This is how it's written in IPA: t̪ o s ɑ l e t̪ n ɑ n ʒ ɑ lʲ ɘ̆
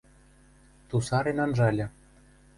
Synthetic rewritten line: t̪ u s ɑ ɾ e n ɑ n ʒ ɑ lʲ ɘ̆